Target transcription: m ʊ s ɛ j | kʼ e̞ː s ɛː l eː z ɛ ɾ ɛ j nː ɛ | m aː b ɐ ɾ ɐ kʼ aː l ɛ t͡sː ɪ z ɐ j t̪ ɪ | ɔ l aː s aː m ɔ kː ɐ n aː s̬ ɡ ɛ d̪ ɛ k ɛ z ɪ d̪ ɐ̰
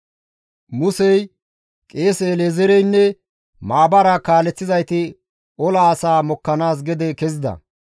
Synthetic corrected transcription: m ʊ s ɛ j | kʼ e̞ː s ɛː l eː z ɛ ɾ ɛ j nː ɛ | m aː b ɐ ɾ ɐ k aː l ɛ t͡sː ɪ z ɐ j t̪ ɪ | ɔ l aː s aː m ɔ kː ɐ n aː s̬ ɡ ɛ d̪ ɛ k ɛ z ɪ d̪ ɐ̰